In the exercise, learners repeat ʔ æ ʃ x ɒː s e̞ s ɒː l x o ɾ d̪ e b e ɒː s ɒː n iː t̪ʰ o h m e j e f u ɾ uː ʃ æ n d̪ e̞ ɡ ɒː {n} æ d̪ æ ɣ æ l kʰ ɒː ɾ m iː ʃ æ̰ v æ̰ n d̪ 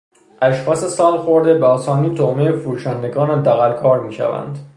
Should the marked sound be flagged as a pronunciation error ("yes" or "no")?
no